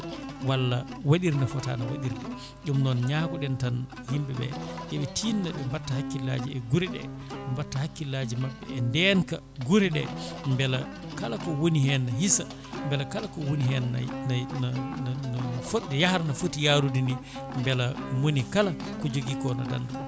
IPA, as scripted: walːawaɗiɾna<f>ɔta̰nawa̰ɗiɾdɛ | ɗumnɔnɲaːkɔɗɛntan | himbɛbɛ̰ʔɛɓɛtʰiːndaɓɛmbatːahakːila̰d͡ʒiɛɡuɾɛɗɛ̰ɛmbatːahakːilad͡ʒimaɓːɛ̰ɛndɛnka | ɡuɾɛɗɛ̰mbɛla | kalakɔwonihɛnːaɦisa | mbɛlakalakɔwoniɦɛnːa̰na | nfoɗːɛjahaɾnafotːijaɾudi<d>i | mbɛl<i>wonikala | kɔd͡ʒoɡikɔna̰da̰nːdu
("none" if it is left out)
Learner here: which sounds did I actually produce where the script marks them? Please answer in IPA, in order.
f, n, a

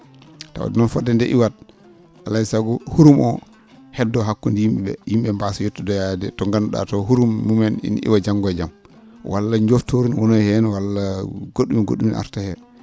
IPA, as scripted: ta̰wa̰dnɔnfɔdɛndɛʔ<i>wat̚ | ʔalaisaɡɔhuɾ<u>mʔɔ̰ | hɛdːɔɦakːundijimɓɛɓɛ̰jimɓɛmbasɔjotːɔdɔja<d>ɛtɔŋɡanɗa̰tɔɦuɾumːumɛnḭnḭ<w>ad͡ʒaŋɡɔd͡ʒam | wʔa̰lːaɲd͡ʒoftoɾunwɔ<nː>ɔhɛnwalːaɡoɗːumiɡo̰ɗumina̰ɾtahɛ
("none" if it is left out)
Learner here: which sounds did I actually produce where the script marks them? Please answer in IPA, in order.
i, u, d, w, n

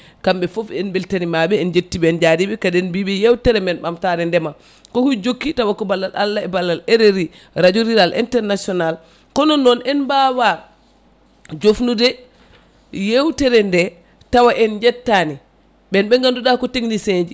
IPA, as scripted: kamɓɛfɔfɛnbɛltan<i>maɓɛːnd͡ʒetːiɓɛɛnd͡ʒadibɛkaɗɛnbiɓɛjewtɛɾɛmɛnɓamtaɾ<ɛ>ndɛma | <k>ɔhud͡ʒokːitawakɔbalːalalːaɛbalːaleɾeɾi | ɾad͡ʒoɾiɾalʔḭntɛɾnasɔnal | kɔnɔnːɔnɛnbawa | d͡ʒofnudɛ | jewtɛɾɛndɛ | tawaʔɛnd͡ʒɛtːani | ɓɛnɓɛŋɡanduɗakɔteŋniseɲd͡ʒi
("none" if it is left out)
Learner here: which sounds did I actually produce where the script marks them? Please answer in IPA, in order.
i, ɛ, k

